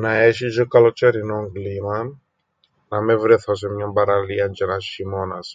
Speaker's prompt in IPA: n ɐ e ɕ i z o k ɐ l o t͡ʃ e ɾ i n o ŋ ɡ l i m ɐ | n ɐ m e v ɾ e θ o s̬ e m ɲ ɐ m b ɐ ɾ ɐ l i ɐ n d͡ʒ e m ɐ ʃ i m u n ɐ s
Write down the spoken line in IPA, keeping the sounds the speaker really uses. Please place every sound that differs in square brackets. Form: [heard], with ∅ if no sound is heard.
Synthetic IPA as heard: n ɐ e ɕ i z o k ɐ l o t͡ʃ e ɾ i n o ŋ ɡ l i m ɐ | n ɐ m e v ɾ e θ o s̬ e m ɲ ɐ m b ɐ ɾ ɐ l i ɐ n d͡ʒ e [n] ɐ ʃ i m [o] n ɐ s